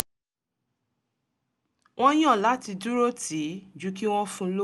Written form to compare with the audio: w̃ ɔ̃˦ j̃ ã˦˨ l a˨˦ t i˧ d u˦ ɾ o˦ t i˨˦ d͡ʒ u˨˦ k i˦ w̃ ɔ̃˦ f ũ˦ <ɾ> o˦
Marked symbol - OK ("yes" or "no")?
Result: no